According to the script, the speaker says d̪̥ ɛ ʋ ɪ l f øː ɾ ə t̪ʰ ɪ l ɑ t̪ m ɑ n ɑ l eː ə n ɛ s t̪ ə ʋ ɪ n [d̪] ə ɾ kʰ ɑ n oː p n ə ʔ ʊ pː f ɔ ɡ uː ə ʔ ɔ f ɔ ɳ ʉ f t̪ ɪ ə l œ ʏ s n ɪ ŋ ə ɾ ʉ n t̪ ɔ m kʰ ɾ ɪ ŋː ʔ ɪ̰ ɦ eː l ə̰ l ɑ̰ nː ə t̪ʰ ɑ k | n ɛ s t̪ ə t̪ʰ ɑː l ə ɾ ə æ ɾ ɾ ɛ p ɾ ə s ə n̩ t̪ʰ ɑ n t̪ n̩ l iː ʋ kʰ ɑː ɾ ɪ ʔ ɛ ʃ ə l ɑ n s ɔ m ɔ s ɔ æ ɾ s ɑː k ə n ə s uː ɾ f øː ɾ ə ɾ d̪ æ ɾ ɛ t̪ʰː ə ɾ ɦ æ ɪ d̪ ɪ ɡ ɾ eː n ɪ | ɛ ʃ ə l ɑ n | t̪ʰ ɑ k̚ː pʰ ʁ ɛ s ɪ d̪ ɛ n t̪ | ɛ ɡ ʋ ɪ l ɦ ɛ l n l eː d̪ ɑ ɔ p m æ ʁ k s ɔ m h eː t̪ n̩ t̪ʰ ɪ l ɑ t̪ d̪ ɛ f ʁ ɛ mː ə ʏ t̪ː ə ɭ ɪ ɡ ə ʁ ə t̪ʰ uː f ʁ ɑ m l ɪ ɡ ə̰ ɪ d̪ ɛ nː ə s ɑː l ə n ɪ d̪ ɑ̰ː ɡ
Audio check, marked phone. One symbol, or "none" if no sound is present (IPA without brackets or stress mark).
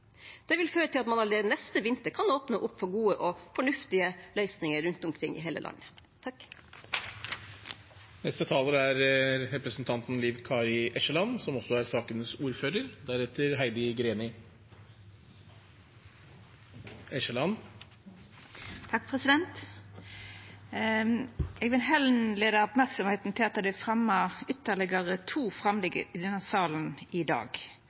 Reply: t̪